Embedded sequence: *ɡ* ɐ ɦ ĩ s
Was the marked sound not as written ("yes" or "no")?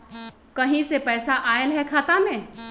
yes